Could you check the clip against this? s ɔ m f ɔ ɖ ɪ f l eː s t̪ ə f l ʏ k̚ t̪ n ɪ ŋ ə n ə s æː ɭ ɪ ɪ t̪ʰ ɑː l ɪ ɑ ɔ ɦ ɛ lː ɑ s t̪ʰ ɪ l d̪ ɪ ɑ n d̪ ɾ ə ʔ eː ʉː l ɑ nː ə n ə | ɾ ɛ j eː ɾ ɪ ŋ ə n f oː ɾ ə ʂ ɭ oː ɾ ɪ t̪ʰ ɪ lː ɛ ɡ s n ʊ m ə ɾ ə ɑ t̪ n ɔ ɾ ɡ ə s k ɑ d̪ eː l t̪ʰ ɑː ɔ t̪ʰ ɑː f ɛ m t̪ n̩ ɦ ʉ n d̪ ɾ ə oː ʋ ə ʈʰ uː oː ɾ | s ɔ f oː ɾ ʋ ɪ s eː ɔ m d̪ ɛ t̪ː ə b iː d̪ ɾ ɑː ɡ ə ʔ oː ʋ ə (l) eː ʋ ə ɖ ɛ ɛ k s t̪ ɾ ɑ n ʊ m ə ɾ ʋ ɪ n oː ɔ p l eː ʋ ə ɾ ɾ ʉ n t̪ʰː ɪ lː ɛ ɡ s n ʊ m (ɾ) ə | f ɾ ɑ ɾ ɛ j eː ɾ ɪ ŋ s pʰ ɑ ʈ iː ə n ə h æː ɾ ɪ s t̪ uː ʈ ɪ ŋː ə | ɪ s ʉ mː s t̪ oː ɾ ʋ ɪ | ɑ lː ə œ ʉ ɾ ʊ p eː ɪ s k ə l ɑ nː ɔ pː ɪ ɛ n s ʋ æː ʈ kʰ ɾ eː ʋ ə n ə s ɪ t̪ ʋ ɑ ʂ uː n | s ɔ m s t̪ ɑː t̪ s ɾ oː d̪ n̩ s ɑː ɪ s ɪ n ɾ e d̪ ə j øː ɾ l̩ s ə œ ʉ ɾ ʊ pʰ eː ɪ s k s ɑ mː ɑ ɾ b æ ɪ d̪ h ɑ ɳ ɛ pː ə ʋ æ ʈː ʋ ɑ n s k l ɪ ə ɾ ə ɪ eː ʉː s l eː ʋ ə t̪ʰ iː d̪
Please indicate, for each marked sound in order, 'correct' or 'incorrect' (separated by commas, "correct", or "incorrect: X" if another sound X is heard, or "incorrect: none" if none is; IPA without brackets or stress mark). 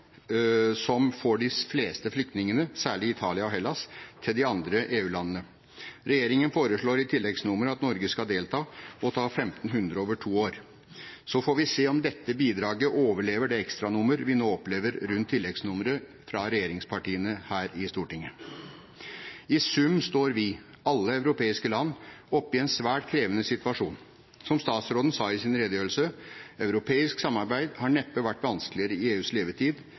incorrect: ɭ, correct